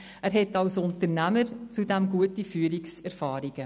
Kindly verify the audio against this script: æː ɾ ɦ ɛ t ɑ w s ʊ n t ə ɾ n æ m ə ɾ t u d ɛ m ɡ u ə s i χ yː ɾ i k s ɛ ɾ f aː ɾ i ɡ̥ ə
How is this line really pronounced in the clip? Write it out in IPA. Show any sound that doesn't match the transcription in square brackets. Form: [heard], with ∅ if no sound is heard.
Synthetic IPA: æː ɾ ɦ ɛ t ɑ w s ʊ n t ə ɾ n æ m ə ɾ [t͡s] u d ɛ m ɡ u ə [t] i [f] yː ɾ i k s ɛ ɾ f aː ɾ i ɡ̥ ə